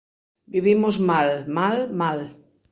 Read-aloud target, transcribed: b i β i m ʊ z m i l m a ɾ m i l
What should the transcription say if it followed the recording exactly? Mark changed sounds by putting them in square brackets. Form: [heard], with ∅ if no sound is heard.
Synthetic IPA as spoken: b i β i m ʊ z m [a] l m a [l] m [a] l